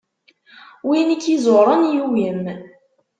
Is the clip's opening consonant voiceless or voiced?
voiced